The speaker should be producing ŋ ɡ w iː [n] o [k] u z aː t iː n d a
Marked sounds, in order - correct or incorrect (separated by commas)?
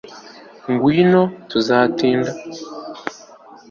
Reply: correct, incorrect